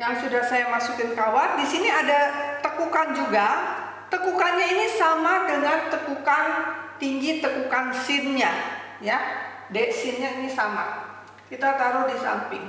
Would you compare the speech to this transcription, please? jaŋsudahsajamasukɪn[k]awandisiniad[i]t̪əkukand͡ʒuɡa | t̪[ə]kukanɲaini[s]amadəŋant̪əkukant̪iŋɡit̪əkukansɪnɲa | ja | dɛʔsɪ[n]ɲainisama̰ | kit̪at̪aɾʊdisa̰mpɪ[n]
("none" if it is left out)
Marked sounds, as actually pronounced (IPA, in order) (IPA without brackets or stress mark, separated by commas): k, a, ə, s, n, ŋ